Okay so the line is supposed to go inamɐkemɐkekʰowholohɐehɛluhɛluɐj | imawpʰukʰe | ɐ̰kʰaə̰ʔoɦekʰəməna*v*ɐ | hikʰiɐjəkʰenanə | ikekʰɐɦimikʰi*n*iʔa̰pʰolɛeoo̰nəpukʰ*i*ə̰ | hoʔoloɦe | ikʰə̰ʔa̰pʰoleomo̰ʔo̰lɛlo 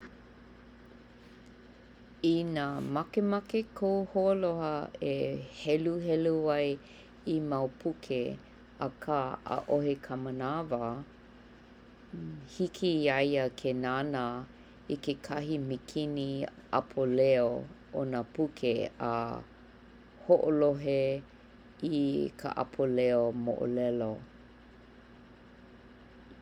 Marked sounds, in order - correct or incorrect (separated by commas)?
correct, correct, incorrect